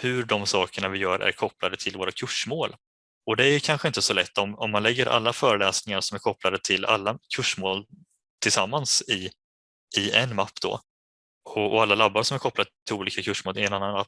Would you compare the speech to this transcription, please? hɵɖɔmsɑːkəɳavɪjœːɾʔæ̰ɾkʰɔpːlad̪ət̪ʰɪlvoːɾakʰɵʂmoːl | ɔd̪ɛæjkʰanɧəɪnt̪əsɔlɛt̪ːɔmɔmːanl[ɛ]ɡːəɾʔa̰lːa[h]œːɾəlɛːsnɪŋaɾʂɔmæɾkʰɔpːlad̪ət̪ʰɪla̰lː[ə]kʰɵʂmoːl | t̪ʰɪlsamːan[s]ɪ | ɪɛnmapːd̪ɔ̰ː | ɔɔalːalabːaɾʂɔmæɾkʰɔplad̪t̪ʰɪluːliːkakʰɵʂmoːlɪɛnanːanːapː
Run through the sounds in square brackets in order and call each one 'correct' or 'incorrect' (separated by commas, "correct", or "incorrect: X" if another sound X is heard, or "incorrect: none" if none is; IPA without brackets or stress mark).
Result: correct, incorrect: f, incorrect: a, correct